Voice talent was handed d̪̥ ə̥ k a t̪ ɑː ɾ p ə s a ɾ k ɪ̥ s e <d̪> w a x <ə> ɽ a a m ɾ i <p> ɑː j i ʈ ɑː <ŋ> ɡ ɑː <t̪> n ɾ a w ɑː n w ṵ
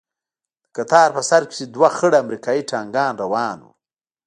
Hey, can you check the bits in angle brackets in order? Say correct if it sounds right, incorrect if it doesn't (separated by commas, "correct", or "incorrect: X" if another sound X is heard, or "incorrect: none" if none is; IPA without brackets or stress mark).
correct, correct, incorrect: k, correct, incorrect: none